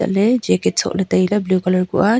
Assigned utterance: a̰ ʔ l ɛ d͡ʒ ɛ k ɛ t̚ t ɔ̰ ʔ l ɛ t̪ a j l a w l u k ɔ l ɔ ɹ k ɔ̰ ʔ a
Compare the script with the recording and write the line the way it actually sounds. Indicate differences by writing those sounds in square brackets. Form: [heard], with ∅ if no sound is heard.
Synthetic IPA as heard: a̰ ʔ l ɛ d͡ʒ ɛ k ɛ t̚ [s] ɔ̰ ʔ l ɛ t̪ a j l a [b] l u k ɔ l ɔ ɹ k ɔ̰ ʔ a